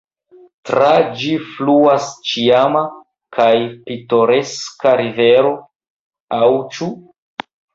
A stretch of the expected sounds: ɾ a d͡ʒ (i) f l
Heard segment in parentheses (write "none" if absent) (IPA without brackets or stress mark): i